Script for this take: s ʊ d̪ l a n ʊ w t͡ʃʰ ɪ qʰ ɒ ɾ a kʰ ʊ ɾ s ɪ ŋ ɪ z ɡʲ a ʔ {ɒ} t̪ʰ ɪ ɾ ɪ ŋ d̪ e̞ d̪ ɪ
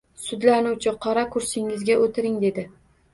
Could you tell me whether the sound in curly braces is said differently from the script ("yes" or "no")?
yes